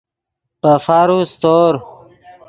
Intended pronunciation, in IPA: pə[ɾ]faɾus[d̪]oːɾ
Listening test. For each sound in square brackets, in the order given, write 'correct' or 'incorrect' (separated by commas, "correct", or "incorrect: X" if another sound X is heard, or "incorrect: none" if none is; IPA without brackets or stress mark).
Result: incorrect: none, incorrect: t̪